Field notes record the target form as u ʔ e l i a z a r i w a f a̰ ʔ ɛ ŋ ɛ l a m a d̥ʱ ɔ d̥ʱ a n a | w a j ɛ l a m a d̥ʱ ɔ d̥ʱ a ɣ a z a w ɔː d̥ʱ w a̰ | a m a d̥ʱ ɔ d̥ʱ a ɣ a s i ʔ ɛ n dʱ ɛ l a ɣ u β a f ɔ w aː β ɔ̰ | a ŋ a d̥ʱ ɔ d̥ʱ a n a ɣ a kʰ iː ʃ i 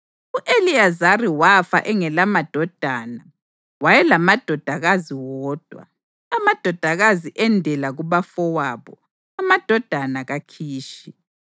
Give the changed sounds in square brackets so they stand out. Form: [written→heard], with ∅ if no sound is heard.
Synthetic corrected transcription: u ʔ e l i a z a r i w a f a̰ ʔ ɛ ŋ ɛ l a m a d̥ʱ ɔ d̥ʱ a n a | w a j ɛ l a m a d̥ʱ ɔ d̥ʱ a ɣ a z [a→i] w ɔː d̥ʱ w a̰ | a m a d̥ʱ ɔ d̥ʱ a ɣ a [s→z] i ʔ ɛ n dʱ ɛ l a ɣ u β a f ɔ w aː β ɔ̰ | a [ŋ→m] a d̥ʱ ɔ d̥ʱ a n a ɣ a kʰ iː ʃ i